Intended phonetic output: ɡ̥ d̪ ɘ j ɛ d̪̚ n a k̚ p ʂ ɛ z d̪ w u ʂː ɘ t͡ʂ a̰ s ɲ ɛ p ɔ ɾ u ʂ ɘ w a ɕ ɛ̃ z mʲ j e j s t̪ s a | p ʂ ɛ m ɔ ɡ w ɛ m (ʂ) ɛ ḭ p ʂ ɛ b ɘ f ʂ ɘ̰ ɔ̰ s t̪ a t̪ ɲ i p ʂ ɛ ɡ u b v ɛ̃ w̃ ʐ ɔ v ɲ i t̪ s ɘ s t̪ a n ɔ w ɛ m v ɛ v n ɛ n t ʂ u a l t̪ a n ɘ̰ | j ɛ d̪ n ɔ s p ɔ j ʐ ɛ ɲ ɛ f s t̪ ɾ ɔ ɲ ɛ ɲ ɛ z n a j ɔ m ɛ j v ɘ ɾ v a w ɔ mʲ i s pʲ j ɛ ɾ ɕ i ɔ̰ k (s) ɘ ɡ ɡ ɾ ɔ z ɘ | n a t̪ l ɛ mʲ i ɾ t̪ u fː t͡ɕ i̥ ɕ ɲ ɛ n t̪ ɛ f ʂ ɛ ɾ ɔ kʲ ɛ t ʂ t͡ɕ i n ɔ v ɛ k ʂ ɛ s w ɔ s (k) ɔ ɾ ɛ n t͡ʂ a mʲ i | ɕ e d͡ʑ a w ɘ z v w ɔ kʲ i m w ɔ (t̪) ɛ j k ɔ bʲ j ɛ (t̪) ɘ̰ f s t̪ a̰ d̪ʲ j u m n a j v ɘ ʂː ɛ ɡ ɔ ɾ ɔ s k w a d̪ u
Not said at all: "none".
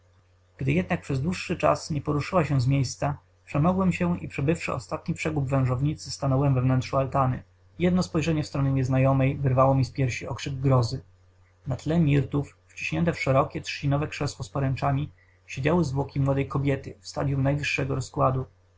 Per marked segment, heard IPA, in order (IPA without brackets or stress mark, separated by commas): ɕ, ʂ, p, d̪, t̪